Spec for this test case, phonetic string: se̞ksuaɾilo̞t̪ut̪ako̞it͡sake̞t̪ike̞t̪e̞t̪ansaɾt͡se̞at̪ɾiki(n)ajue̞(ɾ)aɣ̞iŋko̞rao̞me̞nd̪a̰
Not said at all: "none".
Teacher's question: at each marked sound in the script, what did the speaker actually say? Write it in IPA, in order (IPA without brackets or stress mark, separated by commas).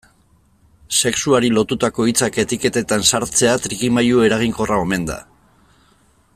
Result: m, ɾ